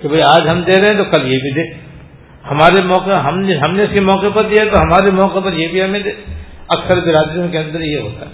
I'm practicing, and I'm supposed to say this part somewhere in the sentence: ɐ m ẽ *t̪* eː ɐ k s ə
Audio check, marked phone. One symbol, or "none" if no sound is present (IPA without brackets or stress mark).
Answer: d̪